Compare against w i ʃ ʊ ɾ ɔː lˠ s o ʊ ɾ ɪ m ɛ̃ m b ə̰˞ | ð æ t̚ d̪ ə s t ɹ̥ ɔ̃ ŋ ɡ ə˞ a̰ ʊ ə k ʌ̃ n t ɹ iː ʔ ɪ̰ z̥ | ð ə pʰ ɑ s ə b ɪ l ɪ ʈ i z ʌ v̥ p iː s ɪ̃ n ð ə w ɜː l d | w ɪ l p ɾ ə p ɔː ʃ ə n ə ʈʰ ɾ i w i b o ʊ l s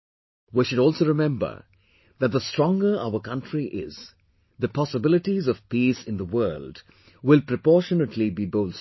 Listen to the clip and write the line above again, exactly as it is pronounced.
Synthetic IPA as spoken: w i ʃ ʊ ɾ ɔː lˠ s o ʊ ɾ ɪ m ɛ̃ m b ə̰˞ | ð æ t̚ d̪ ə s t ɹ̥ ɔ̃ ŋ ɡ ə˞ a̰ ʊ ə k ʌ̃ n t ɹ i ʔ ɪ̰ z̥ | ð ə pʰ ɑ s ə b ɪ l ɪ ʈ i z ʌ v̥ p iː s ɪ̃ n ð ə w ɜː l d | w ɪ l p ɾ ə p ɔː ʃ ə n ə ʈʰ l i b i b o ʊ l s

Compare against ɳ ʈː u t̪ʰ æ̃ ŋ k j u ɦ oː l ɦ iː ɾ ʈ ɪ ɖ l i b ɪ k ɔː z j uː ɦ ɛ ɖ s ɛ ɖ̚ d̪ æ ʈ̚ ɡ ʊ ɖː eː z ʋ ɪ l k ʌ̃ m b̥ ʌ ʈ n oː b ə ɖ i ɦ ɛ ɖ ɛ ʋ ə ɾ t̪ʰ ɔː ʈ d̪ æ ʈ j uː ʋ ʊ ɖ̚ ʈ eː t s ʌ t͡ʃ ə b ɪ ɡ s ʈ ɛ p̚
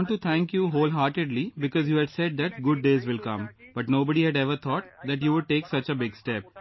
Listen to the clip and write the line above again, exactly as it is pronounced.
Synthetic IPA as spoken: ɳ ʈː u t̪ʰ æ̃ ŋ k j u ɦ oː l ɦ aː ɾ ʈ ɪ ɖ l i b ɪ k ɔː z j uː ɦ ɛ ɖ s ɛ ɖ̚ d̪ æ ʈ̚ ɡ ʊ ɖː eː z ʋ ɪ l k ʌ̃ m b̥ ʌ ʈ n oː b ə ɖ i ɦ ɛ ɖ ɛ ʋ ə ɾ t̪ʰ ɔː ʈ d̪ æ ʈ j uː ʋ ʊ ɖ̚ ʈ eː k s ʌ t͡ʃ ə b ɪ ɡ s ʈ ɛ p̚

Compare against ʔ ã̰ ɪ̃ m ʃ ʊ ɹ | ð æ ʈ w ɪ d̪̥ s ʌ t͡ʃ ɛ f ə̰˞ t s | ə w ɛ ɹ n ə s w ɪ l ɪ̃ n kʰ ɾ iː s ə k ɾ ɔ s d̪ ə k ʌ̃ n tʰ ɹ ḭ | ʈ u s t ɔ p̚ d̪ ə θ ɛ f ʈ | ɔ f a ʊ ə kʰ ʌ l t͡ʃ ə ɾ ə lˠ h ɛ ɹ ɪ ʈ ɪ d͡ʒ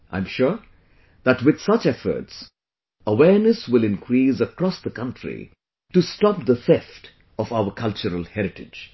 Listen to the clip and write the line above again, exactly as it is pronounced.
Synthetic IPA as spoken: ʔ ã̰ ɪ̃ m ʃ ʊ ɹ | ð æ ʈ w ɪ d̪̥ s ʌ t͡ʃ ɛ f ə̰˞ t s | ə w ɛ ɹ n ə s w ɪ l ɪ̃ n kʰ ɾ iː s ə k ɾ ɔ s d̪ ə k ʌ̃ n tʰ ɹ ḭ | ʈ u s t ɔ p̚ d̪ ə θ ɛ f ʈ | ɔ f a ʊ ə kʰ ʌ l t͡ʃ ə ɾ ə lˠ h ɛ ɾ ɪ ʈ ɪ d͡ʒ

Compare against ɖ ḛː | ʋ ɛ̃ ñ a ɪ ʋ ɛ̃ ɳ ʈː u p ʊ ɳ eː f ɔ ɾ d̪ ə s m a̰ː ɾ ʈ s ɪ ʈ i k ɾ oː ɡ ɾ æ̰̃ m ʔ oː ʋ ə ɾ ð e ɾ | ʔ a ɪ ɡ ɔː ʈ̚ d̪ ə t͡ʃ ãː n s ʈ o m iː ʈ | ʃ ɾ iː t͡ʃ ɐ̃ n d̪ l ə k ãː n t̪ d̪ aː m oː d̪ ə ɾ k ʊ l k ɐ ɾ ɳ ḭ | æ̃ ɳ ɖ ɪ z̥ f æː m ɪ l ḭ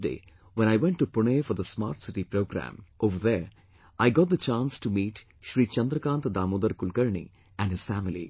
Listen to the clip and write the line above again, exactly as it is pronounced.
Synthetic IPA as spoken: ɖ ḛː | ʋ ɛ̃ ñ a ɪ ʋ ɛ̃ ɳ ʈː u p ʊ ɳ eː f ɔ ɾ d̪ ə s m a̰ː ɾ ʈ s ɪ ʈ i p ɾ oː ɡ ɾ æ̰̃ m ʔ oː ʋ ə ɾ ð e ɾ | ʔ a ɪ ɡ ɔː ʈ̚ d̪ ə t͡ʃ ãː n s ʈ u m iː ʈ | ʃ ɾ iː t͡ʃ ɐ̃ n d̪ ɾ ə k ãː n t̪ d̪ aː m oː d̪ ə ɾ k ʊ l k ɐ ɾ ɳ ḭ | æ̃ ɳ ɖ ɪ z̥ f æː m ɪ l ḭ

